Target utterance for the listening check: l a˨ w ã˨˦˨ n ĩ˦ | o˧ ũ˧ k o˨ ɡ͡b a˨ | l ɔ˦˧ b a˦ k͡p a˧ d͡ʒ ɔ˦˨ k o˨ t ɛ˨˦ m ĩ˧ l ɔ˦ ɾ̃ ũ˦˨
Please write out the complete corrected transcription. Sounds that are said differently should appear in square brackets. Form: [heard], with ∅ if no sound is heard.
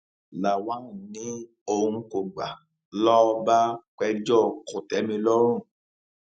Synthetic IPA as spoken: l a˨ w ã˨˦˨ n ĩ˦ | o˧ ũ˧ k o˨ ɡ͡b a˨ | l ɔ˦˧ b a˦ k͡p [ɛ˧] d͡ʒ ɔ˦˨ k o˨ t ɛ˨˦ m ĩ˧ l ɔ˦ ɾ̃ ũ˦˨